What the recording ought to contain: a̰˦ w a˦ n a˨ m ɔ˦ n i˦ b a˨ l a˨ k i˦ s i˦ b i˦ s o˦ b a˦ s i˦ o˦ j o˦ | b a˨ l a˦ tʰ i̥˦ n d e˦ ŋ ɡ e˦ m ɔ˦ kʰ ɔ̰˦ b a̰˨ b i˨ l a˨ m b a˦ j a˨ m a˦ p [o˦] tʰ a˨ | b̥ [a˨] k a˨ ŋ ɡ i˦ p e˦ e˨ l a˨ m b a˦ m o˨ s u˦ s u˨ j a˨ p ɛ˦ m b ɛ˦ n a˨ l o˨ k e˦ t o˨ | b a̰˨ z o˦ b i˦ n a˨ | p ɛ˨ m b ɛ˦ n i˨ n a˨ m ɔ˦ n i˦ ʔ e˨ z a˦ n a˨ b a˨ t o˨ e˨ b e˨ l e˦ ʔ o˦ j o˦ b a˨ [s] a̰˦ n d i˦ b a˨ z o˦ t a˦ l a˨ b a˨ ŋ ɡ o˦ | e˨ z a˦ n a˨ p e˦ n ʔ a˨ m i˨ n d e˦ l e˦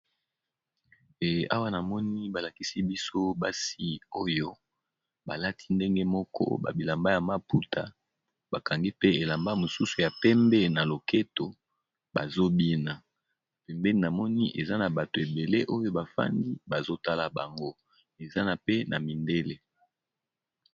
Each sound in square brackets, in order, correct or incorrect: incorrect, correct, incorrect

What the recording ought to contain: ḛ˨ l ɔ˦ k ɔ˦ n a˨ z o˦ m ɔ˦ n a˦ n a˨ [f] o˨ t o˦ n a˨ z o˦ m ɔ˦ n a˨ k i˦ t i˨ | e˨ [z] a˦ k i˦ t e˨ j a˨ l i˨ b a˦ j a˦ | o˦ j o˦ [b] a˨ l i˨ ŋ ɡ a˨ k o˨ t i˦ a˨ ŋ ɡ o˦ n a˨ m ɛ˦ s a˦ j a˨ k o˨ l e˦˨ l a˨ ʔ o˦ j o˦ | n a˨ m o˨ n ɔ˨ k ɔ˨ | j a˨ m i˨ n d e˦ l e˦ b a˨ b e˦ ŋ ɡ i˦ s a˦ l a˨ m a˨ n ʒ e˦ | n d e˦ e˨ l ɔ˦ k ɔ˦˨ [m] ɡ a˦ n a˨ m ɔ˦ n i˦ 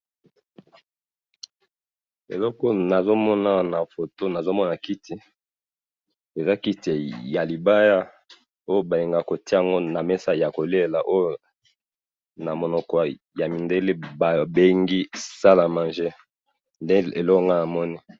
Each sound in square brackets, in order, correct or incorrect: correct, correct, correct, incorrect

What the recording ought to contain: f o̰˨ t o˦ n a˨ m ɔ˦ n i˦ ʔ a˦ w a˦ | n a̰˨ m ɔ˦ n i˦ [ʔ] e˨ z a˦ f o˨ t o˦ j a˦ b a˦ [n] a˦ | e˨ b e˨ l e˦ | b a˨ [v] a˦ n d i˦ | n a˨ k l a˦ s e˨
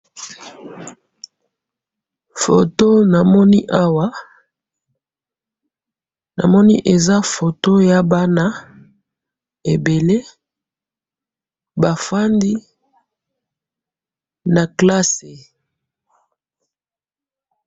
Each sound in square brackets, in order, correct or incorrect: correct, correct, incorrect

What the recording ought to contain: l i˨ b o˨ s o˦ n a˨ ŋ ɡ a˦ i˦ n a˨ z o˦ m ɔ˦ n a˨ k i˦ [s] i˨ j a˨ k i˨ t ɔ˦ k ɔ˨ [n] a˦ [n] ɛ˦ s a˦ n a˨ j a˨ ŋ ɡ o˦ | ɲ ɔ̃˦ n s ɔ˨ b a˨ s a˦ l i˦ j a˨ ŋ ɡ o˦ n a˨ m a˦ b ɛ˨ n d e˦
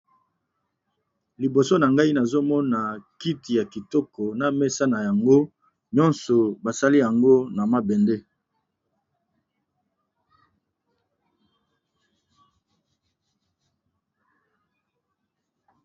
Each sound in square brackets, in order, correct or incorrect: incorrect, correct, incorrect

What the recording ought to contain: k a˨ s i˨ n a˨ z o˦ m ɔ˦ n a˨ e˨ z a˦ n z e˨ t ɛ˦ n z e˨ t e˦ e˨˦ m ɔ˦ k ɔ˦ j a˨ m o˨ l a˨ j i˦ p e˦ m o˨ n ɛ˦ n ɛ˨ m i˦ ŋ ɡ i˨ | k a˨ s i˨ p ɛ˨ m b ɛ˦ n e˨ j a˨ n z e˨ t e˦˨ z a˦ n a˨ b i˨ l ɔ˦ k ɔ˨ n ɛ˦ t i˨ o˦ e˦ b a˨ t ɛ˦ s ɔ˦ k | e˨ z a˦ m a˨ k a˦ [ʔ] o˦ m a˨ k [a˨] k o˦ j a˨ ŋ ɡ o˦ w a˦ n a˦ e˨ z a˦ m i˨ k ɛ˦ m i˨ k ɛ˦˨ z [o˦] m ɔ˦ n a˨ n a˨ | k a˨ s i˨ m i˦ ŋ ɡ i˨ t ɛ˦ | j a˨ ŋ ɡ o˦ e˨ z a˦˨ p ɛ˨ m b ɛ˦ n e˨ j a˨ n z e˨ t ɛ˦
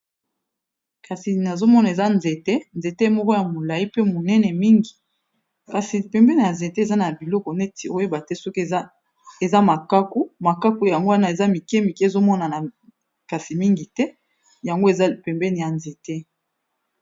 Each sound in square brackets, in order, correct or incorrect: incorrect, incorrect, correct

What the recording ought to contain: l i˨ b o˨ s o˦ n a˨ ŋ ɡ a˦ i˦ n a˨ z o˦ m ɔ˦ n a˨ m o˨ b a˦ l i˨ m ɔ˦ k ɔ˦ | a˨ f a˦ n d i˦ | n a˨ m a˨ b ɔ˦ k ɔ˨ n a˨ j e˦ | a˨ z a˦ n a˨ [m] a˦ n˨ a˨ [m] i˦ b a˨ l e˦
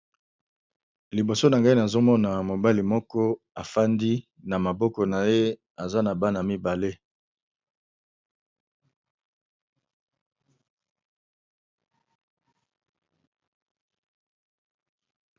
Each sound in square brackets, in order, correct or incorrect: incorrect, correct

